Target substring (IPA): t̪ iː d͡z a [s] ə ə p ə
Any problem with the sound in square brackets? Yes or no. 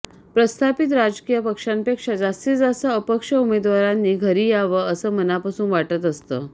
no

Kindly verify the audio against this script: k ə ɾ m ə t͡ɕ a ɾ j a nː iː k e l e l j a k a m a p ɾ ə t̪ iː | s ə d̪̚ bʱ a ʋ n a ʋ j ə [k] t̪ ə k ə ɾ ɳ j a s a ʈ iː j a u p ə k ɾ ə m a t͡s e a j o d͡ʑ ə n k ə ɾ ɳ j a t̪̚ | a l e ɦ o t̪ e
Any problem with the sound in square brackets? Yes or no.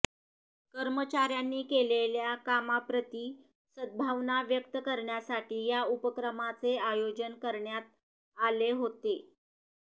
no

